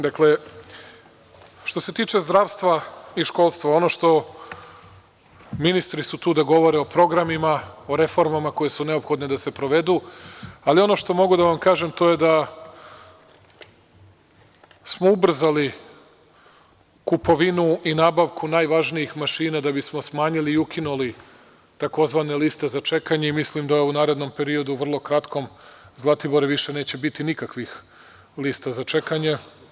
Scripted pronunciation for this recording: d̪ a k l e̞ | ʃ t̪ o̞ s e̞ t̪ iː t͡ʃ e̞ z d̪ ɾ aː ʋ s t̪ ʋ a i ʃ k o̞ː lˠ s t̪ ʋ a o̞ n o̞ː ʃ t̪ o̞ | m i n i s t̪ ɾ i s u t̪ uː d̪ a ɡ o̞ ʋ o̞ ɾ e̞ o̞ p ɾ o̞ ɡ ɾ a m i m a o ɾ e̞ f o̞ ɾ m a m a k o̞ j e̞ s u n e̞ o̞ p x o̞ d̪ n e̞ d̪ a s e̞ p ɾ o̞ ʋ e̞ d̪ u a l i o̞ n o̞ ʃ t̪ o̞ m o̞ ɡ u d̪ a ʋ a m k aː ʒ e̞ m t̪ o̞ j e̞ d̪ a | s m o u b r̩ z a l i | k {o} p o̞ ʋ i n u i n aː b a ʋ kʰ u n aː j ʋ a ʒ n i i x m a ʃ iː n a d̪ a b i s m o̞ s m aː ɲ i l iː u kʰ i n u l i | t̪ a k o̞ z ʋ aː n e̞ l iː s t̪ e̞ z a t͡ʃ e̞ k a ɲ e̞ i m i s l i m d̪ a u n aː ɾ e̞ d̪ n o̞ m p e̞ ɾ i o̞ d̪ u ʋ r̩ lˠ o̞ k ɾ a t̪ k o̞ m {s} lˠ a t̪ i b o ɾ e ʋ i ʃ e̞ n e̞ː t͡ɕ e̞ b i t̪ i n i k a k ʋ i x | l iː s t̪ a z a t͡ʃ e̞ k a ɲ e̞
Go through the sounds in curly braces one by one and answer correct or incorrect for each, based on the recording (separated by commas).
incorrect, incorrect